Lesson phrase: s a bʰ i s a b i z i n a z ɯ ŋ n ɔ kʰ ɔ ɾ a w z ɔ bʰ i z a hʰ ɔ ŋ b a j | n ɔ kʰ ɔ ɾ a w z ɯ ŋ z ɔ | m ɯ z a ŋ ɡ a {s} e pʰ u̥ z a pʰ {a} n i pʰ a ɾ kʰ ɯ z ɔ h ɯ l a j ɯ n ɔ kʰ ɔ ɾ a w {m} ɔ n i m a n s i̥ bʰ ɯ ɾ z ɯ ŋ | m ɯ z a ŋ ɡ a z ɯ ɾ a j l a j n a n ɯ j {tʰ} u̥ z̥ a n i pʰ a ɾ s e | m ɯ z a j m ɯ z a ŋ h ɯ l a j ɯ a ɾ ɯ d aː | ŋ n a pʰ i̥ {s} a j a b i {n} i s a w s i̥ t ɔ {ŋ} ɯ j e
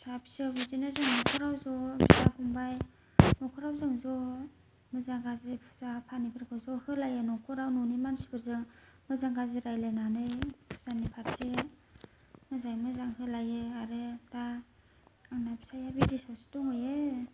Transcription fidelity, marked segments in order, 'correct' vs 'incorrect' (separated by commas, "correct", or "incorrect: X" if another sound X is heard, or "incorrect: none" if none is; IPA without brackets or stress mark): incorrect: z, correct, incorrect: n, incorrect: pʰ, correct, incorrect: d, correct